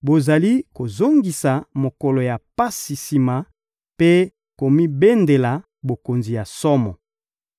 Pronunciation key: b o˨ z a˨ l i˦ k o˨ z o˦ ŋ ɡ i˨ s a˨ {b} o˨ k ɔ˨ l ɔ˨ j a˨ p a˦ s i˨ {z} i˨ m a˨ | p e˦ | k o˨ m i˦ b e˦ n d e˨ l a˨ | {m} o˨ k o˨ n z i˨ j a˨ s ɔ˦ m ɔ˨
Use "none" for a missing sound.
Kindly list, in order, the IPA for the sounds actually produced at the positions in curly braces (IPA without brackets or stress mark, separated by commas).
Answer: m, s, b